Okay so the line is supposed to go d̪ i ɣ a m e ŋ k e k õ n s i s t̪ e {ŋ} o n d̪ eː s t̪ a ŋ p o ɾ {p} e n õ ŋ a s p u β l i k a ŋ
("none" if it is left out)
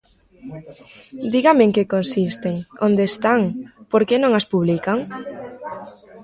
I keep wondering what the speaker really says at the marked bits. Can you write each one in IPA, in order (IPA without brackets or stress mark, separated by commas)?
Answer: ŋ, k